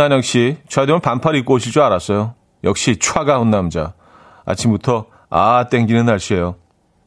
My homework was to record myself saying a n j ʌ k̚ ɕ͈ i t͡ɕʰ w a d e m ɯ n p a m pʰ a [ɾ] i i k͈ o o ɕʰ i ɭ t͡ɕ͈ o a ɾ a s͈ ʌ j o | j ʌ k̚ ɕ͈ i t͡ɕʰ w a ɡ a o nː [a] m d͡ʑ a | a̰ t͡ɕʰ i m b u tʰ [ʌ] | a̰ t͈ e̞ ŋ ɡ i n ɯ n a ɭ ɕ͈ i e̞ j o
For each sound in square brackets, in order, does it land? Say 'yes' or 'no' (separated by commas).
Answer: yes, yes, yes